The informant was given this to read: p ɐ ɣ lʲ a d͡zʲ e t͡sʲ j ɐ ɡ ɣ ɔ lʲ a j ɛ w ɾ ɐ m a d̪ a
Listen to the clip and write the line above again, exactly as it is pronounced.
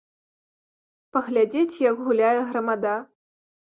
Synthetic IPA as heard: p ɐ ɣ lʲ a d͡zʲ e t͡sʲ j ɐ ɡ ɣ u lʲ a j ɛ ɣ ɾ ɐ m a d̪ a